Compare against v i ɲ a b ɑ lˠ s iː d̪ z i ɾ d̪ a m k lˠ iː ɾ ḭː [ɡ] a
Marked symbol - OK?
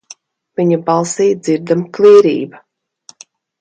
no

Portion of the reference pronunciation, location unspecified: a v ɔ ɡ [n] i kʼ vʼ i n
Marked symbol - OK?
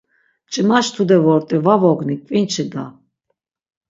yes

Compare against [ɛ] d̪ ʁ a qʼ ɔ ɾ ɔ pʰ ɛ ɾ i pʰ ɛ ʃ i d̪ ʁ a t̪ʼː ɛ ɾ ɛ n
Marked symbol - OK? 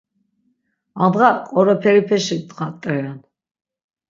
no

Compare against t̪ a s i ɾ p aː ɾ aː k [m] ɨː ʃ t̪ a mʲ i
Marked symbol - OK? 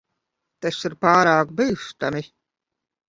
no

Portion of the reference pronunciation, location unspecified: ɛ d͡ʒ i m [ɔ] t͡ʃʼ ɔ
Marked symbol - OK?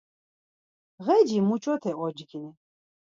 no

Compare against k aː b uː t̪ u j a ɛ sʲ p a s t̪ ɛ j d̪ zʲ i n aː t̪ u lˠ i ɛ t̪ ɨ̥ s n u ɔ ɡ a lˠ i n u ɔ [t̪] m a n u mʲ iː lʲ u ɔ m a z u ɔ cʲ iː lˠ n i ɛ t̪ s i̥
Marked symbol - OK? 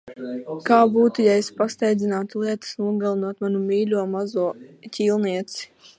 yes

